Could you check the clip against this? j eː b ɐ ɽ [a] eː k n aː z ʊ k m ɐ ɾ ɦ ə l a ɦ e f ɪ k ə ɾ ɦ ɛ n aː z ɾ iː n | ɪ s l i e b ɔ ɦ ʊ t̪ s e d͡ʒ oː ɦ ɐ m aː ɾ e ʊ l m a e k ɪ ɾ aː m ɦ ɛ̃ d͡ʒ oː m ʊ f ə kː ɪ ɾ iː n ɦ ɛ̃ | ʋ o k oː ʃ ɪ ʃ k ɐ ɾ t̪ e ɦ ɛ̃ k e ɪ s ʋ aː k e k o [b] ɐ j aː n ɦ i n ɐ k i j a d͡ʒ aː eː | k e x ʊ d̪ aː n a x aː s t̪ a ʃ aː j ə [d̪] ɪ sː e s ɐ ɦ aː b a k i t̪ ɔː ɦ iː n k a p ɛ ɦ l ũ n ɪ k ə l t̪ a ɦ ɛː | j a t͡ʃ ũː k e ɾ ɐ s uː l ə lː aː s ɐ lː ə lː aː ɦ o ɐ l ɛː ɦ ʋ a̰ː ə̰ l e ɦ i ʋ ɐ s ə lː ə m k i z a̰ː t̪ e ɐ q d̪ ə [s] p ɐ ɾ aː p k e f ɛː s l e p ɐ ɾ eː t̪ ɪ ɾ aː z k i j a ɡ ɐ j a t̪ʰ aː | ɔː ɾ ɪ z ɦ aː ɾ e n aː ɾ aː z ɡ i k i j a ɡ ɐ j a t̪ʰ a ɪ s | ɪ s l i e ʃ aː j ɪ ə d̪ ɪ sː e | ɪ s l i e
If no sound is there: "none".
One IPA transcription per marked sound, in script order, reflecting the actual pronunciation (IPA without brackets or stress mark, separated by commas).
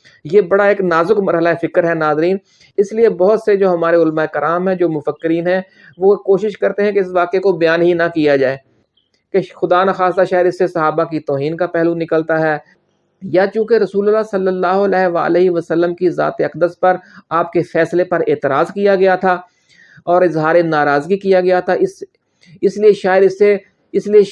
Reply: a, b, d̪, s